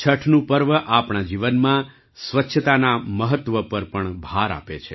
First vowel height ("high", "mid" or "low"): mid